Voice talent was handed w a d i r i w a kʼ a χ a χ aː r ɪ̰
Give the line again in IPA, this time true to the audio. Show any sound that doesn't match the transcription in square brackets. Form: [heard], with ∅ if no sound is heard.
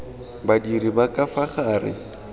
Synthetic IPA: [b] a d i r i [b] a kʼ a [f] a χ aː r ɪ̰